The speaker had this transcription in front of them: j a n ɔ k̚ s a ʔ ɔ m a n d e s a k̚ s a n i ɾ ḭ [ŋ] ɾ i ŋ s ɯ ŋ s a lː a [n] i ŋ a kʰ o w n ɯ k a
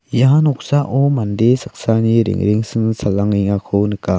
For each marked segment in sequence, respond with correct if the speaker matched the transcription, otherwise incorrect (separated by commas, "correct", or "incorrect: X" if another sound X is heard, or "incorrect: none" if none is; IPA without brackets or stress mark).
correct, incorrect: ŋ